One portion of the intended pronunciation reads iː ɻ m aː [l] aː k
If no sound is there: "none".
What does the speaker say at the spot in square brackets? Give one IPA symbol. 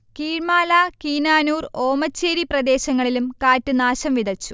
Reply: l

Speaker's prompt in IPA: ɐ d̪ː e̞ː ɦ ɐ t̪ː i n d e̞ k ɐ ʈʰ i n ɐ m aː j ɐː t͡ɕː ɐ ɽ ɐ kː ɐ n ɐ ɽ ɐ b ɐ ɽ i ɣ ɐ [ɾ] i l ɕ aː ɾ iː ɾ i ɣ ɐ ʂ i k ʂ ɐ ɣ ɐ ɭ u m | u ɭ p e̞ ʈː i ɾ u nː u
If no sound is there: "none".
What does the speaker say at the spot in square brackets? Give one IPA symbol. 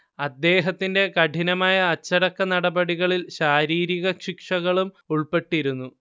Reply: ɭ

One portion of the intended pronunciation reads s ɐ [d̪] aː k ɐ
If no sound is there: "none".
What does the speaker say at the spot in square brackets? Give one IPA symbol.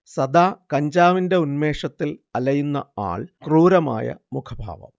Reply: d̪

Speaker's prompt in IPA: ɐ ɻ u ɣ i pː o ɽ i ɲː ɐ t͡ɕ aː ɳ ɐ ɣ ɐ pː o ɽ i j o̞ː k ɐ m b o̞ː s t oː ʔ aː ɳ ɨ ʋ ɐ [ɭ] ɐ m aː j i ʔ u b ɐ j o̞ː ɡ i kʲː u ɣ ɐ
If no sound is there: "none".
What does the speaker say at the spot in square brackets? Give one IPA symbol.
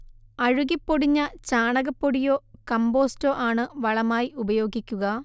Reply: ɭ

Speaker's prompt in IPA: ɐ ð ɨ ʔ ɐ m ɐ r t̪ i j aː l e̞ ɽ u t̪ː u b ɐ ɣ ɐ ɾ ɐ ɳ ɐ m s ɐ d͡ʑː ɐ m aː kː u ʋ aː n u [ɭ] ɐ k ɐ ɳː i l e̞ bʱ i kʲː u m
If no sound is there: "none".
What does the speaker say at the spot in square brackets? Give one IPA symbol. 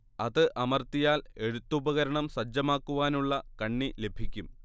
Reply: ɭː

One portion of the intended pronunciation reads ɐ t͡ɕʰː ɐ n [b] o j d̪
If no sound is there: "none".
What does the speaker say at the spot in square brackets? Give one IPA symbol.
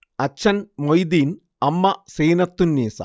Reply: m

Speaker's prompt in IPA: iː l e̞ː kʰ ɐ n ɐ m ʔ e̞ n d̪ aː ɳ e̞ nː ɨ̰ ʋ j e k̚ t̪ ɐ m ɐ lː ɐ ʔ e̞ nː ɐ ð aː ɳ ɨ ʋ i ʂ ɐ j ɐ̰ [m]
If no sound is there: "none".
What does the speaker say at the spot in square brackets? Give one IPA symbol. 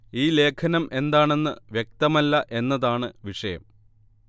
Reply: m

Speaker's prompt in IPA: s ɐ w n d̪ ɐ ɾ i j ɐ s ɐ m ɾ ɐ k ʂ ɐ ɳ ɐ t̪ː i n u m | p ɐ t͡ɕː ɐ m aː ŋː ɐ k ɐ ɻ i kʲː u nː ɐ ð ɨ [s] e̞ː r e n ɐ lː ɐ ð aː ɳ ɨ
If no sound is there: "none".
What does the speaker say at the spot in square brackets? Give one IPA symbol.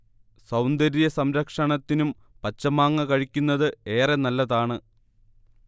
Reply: none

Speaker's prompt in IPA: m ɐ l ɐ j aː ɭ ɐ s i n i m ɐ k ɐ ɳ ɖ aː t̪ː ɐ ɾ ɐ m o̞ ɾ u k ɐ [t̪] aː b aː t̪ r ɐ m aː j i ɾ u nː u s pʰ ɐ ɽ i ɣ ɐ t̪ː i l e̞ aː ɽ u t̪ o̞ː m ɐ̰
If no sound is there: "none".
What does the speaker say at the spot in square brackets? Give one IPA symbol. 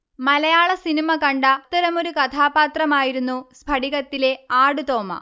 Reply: t̪ʰ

